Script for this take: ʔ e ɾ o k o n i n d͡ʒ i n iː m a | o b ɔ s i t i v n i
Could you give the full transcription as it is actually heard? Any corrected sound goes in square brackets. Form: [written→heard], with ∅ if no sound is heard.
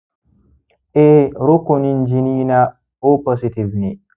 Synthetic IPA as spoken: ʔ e ɾ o k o n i n d͡ʒ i n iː [m→n] a | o [b→p] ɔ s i t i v n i